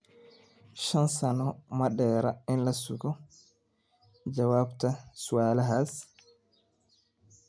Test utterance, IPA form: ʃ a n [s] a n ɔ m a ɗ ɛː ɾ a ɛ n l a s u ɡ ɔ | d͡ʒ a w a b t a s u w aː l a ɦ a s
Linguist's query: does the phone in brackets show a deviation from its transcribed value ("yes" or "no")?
no